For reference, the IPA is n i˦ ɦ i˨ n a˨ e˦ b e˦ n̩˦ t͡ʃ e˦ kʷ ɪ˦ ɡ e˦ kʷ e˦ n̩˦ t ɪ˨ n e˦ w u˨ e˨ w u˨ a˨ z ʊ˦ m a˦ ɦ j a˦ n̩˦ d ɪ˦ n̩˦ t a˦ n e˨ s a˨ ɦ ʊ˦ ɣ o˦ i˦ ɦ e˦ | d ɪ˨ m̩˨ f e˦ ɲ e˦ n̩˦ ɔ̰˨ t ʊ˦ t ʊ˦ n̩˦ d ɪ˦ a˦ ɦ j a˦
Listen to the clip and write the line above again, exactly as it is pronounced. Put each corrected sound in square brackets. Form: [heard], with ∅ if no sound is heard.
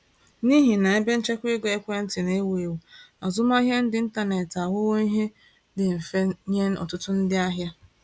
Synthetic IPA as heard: n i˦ ɦ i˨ n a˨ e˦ b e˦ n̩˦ t͡ʃ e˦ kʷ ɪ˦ ɡ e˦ kʷ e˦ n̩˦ t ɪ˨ n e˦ w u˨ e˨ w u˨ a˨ z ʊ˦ m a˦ ɦ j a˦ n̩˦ d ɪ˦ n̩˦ t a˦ n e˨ [t] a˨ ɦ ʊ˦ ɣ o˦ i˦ ɦ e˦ | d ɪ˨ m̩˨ f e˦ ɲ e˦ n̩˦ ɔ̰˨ t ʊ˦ t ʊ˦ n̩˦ d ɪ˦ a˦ ɦ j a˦